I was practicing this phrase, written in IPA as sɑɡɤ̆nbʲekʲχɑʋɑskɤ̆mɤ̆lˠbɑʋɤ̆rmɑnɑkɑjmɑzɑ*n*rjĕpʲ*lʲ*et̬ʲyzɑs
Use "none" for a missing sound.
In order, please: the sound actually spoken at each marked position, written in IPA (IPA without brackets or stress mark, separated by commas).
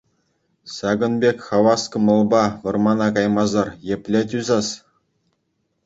none, lʲ